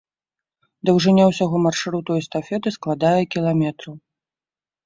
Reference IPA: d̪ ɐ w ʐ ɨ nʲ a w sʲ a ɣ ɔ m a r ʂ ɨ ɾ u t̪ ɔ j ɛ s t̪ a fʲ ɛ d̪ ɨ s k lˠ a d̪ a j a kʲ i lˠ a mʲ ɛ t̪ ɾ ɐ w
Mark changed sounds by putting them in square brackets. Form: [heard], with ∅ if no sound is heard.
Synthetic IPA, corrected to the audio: d̪ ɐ w ʐ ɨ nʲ a w sʲ a ɣ ɔ m a r ʂ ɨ ɾ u t̪ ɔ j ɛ s t̪ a fʲ ɛ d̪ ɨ s k lˠ a d̪ a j [ɛ] kʲ i lˠ a mʲ ɛ t̪ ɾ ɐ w